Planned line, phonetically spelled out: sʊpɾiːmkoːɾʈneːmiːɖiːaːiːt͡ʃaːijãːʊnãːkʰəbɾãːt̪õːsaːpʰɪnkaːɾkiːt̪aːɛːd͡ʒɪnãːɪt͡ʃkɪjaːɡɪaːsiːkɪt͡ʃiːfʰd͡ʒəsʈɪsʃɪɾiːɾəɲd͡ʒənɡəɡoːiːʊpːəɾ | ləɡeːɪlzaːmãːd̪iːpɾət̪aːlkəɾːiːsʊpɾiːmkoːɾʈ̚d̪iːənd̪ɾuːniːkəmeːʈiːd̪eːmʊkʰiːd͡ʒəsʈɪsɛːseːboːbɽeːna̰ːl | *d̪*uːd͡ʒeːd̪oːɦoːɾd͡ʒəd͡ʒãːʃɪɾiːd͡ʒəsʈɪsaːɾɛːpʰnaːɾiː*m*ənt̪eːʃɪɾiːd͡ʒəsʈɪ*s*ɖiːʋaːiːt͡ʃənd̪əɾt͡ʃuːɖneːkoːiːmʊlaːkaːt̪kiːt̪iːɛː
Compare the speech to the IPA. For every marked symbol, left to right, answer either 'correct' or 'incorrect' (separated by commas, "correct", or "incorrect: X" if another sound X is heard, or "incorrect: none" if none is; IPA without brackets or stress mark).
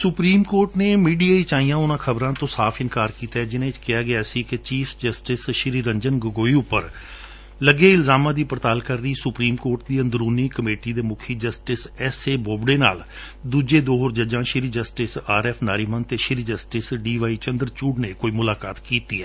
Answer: correct, correct, correct